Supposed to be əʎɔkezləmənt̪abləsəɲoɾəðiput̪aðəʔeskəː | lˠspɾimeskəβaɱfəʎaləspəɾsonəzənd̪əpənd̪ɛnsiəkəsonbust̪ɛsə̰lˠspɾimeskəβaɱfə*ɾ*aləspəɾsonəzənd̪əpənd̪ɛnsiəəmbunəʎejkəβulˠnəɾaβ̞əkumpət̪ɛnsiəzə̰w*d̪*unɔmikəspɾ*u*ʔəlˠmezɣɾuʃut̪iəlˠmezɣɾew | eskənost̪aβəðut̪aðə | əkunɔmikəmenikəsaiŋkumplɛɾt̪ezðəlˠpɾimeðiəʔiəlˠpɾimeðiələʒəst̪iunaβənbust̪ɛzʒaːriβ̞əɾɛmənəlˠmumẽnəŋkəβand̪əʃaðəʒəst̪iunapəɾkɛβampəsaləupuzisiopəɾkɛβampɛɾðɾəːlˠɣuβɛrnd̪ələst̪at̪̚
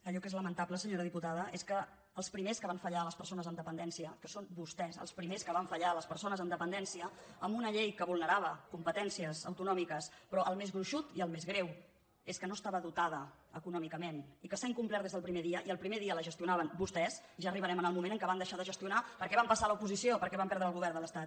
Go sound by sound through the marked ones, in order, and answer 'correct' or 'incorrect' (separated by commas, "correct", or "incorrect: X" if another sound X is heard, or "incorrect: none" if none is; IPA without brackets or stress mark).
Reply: incorrect: ʎ, incorrect: t̪, incorrect: ɔ